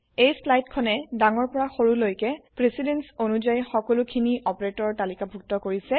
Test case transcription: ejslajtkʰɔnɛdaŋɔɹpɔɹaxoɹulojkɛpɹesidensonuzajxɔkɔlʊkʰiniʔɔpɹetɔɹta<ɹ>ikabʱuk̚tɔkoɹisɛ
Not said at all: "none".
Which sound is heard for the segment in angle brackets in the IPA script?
l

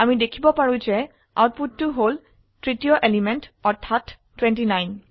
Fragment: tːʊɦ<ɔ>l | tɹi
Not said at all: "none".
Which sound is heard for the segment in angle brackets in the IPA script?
o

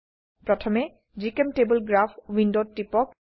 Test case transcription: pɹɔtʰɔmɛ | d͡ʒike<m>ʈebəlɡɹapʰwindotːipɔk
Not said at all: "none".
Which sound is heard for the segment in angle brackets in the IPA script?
m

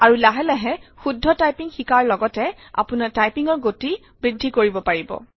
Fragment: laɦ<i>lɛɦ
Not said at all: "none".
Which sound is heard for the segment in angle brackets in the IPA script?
ɛ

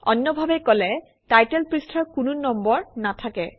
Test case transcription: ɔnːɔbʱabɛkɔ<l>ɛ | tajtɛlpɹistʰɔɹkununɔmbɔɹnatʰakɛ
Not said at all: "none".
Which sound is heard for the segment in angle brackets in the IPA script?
l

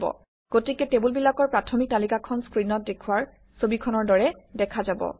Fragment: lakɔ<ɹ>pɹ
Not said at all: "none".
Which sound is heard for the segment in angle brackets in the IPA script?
ɹ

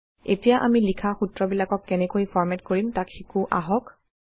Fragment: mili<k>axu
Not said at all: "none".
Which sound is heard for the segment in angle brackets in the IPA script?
kʰ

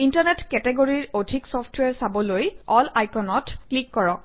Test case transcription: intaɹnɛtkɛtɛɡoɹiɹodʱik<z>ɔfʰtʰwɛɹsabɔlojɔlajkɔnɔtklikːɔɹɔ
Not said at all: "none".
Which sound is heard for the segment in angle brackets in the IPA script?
s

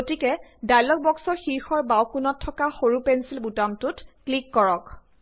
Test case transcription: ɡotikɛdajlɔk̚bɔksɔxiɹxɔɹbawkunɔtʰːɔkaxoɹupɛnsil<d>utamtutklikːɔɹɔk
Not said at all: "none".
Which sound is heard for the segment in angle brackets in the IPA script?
b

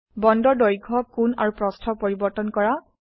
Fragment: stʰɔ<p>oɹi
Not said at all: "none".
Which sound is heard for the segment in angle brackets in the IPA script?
p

